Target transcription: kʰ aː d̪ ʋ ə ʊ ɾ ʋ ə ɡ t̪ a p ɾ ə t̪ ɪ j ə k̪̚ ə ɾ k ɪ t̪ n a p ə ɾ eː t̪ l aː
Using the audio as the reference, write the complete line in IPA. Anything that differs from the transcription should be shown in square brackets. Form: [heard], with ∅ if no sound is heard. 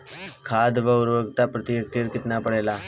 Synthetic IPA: kʰ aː d̪ ʋ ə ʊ ɾ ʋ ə ɡ t̪ a p ɾ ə t̪ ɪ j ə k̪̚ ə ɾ k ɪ t̪ n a p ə [ɽ] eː [∅] l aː